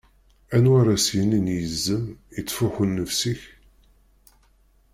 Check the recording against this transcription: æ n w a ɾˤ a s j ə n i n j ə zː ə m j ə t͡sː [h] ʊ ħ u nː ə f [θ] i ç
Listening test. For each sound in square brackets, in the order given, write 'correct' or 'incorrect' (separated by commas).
incorrect, incorrect